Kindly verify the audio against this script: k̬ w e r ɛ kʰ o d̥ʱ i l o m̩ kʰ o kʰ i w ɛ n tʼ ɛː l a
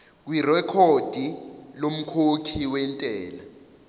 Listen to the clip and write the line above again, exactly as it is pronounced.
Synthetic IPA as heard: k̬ w i r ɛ kʰ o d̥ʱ i l o m̩ kʰ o kʰ i w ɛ n tʼ ɛː l a